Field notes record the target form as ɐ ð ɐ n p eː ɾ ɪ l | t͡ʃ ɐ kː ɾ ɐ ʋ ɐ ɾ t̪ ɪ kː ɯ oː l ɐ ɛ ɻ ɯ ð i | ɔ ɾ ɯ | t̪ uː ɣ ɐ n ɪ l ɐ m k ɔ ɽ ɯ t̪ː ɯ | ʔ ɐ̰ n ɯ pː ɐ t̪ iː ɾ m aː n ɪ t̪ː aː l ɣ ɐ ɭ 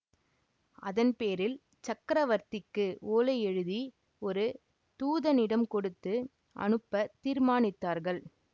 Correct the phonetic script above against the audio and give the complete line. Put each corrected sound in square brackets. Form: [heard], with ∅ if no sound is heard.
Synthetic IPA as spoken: ɐ ð ɐ n p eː ɾ ɪ l | t͡ʃ ɐ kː ɾ ɐ ʋ ɐ ɾ t̪ ɪ kː ɯ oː l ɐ ɛ ɻ ɯ ð i | ɔ ɾ ɯ | t̪ uː [ð] ɐ n ɪ [ɽ] ɐ m k ɔ ɽ ɯ t̪ː ɯ | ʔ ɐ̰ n ɯ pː ɐ t̪ iː ɾ m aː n ɪ t̪ː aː [ɾ] ɣ ɐ ɭ